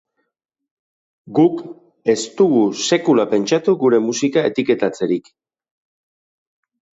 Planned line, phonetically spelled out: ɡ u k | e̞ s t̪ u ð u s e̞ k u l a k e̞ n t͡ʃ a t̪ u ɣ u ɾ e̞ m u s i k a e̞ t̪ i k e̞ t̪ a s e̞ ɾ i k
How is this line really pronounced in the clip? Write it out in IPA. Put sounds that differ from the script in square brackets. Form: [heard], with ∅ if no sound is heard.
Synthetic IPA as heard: ɡ u k | e̞ s t̪ u [ɣ] u s e̞ k u l a [p] e̞ n t͡ʃ a t̪ u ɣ u ɾ e̞ m u s i k a e̞ t̪ i k e̞ t̪ a [t͡s] e̞ ɾ i k